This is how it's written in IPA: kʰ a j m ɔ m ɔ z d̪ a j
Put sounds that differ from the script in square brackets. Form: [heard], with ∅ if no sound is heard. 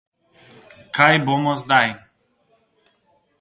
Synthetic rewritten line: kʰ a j [b] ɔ m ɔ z d̪ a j